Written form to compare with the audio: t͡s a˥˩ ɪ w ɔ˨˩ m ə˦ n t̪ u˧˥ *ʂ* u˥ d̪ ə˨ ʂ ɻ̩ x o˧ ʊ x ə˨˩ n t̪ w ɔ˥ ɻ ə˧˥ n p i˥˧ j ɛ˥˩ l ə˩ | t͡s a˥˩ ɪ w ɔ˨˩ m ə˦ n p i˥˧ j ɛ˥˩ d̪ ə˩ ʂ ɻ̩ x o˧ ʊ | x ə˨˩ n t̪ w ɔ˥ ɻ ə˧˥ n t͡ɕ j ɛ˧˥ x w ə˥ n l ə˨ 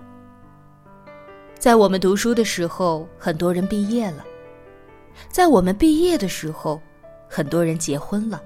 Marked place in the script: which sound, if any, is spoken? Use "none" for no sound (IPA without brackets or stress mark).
ʂ